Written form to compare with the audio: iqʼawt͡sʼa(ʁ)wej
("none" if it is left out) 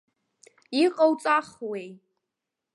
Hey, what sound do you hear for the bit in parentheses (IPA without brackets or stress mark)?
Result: χ